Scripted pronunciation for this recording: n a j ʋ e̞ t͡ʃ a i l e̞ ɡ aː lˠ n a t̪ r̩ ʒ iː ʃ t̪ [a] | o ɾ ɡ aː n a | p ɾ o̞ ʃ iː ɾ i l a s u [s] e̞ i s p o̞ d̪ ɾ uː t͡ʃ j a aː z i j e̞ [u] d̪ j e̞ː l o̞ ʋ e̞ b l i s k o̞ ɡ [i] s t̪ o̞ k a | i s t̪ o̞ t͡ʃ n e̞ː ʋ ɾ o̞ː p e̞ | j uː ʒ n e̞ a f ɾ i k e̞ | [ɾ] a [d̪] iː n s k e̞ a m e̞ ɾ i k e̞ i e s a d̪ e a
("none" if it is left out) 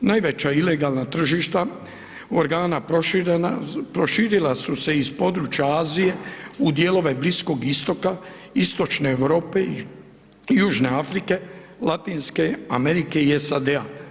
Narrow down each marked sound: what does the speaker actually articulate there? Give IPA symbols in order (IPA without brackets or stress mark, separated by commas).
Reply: a, s, u, i, l, t̪